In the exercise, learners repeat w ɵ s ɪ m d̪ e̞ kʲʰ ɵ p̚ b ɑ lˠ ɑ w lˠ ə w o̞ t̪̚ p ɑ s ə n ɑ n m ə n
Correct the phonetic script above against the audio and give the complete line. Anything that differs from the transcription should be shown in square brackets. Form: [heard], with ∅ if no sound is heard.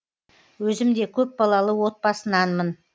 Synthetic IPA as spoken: w ɵ [z] ɪ m d̪ e̞ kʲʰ ɵ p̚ b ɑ lˠ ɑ [∅] lˠ ə w o̞ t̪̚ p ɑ s ə n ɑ n m ə n